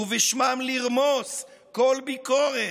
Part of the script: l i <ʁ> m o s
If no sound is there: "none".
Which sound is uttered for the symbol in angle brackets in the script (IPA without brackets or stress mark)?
ʁ